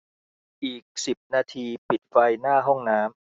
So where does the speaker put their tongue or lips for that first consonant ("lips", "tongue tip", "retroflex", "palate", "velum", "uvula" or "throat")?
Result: throat